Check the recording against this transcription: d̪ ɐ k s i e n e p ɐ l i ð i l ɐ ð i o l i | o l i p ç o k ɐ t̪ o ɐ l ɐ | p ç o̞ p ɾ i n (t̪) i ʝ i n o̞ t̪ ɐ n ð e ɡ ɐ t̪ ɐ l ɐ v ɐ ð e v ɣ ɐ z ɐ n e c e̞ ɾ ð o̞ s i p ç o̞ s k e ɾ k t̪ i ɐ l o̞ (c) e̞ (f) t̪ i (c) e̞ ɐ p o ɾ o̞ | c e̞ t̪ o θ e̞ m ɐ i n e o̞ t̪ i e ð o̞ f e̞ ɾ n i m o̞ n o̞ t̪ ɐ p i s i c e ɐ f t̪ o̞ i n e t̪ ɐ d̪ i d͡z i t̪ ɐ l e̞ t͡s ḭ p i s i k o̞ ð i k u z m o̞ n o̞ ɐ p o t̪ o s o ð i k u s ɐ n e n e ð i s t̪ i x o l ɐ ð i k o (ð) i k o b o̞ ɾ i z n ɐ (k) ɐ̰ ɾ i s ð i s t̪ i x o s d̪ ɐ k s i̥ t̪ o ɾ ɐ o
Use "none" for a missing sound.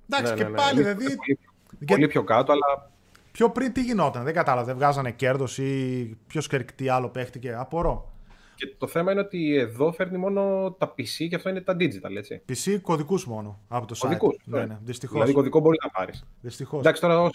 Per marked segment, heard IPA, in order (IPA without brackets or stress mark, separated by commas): t̪, p, x, c, ð, p